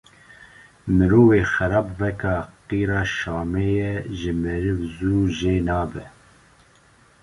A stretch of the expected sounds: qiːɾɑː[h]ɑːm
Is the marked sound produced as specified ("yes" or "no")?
no